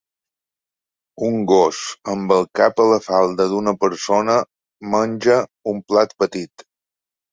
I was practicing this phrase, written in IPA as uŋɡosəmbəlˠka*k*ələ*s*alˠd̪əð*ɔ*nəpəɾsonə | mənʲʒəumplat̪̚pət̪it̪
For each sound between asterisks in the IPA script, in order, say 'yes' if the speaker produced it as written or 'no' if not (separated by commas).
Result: no, no, no